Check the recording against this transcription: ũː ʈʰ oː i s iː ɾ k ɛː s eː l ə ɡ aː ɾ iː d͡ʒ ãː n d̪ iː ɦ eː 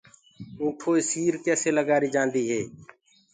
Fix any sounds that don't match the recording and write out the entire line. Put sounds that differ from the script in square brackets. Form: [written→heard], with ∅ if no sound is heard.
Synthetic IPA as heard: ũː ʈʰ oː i s iː ɾ k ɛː s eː l ə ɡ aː ɾ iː d͡ʒ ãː n d̪ iː ɦ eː